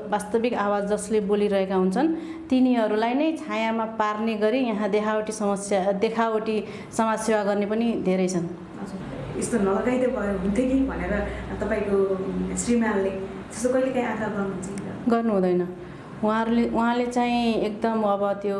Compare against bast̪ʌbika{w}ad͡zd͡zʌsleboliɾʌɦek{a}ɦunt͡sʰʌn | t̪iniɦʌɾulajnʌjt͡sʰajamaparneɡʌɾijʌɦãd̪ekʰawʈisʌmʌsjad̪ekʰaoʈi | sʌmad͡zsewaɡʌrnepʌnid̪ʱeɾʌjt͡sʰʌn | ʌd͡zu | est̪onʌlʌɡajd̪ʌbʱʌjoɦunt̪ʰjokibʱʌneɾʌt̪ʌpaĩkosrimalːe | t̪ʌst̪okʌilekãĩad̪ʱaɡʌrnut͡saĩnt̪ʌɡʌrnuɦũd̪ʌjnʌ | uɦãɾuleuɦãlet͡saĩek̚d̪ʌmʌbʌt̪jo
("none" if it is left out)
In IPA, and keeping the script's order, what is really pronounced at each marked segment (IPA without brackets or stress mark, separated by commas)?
w, a